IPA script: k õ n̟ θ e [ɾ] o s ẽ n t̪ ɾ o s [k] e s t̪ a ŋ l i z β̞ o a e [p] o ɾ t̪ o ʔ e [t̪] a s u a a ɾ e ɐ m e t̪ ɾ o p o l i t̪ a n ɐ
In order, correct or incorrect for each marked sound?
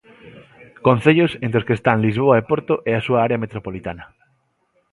incorrect, correct, correct, incorrect

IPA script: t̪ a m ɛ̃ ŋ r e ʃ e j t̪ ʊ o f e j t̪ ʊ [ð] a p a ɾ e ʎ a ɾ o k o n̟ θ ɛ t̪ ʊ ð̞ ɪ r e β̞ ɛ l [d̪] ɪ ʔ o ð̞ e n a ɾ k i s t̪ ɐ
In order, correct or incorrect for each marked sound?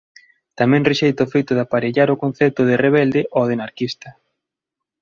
correct, correct

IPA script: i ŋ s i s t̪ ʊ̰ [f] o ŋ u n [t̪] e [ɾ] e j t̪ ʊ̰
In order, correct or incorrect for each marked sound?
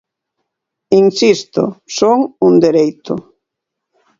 incorrect, incorrect, correct

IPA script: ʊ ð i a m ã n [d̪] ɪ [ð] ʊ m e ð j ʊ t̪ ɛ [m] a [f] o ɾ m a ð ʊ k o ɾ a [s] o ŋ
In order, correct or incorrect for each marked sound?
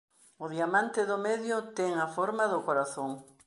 incorrect, correct, incorrect, correct, incorrect

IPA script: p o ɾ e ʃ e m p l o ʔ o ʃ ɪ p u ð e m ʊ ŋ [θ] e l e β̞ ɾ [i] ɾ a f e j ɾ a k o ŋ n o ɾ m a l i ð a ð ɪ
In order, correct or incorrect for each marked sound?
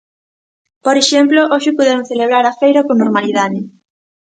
correct, incorrect

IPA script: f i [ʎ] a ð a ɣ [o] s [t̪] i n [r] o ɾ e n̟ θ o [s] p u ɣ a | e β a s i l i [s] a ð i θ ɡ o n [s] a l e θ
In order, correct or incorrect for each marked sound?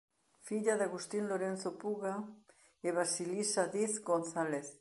correct, incorrect, correct, incorrect, incorrect, correct, incorrect

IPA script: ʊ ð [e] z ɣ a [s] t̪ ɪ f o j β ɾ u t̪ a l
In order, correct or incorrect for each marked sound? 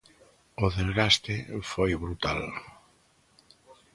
correct, correct

